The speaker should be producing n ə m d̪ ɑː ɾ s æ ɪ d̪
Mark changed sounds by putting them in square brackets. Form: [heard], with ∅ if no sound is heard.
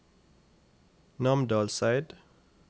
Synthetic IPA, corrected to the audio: n [ɑ] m d̪ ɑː [l] s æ ɪ d̪